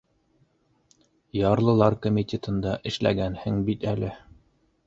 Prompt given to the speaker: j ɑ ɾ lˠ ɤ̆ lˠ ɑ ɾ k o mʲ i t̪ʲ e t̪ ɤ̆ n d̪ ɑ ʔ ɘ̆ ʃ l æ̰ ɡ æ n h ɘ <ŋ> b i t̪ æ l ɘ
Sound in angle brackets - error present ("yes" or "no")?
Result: no